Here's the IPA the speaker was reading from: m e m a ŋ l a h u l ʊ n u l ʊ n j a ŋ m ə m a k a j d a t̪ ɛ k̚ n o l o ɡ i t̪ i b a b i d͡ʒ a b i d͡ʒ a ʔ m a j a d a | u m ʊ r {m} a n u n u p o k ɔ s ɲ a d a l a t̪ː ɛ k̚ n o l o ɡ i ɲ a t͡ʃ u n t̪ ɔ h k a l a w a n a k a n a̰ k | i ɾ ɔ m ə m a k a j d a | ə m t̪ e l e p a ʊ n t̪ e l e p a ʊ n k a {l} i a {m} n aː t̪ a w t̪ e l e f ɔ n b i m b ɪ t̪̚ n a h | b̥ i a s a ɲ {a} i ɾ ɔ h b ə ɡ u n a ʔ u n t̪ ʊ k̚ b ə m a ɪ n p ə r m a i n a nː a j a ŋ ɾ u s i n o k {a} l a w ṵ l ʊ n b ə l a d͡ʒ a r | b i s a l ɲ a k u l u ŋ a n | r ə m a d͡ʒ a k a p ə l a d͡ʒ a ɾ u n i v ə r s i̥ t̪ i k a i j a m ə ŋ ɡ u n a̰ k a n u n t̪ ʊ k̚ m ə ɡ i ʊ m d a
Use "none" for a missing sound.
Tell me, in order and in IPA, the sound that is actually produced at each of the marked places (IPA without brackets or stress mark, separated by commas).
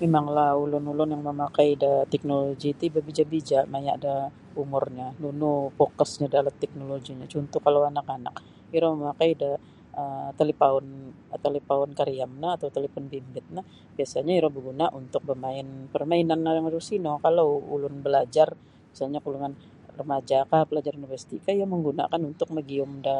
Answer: ɲ, ɾ, m, a, a